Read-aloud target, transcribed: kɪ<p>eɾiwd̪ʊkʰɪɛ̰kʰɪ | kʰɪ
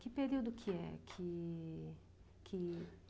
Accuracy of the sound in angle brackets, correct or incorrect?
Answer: correct